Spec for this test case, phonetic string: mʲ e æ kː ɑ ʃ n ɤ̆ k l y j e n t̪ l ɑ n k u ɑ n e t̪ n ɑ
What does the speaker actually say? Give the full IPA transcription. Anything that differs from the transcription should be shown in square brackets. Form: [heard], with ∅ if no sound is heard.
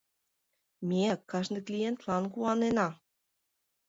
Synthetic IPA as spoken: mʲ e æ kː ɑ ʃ n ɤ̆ k l [i] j e n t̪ l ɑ n k u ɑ n e [∅] n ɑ